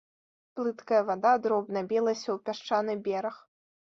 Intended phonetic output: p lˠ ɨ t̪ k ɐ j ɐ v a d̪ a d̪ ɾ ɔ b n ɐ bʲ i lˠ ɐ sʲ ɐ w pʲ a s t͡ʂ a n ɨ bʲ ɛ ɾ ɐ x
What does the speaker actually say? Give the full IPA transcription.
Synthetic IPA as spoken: p lˠ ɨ t̪ k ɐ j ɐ v a d̪ a d̪ ɾ ɔ b n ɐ bʲ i lˠ ɐ sʲ ɐ w pʲ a ʂ t͡ʂ a n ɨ bʲ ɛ ɾ ɐ x